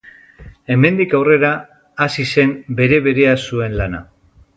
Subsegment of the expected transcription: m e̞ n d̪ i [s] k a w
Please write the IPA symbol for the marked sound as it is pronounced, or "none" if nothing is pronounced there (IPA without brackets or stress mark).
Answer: none